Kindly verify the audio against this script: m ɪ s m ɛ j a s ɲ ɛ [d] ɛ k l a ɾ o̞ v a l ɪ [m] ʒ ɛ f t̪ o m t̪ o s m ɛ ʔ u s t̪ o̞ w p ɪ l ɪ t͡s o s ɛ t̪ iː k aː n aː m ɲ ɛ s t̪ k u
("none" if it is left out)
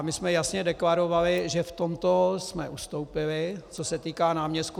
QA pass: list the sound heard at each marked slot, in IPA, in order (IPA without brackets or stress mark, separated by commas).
d, none